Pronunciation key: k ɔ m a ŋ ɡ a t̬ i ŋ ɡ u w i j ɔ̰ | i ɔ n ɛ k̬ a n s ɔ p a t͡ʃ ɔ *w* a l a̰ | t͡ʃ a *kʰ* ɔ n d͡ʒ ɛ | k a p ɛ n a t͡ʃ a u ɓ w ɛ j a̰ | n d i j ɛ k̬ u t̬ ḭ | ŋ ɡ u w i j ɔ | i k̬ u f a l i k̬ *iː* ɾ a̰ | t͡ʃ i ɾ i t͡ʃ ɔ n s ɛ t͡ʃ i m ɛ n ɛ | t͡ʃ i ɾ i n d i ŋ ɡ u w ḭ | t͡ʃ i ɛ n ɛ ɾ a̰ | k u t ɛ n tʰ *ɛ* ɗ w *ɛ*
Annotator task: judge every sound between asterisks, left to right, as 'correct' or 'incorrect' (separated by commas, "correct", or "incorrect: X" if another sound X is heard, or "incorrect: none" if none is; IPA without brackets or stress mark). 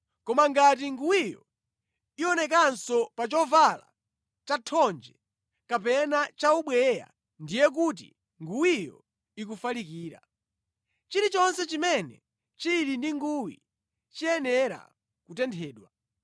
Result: incorrect: v, incorrect: tʰ, correct, incorrect: ɛː, incorrect: a